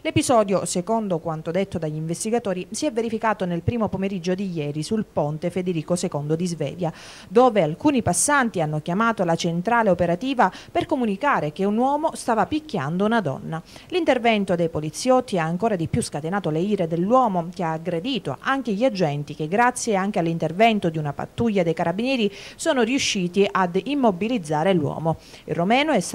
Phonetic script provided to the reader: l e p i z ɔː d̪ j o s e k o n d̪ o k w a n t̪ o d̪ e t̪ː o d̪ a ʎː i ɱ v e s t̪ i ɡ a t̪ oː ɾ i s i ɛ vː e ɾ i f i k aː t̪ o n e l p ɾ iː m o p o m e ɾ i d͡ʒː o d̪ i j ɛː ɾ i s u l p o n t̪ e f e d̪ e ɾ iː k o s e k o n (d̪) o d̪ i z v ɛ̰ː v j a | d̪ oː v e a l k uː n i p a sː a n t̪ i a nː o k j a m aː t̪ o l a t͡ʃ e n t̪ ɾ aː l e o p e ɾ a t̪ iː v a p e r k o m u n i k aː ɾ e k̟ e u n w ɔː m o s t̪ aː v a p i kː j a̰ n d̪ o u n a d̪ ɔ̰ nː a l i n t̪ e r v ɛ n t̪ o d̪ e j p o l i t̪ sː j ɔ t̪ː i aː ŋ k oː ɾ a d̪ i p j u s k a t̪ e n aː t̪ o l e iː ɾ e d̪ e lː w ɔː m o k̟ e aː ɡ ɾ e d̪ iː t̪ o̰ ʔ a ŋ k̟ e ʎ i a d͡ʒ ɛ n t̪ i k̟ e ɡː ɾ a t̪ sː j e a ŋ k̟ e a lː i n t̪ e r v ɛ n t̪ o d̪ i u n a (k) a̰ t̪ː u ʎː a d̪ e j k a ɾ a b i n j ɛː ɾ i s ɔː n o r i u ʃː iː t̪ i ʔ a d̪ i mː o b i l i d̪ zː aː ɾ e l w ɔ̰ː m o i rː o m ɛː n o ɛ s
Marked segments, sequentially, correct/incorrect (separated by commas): correct, incorrect